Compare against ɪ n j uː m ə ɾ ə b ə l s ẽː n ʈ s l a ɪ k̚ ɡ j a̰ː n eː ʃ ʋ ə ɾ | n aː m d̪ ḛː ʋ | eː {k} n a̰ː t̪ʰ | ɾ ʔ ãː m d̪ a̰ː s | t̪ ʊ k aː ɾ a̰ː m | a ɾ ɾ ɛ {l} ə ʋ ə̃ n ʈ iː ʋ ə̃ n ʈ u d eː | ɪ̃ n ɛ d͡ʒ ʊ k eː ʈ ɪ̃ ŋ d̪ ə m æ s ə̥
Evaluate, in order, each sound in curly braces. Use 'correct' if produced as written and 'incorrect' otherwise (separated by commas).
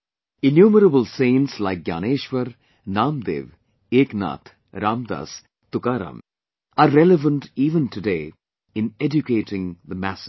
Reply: correct, correct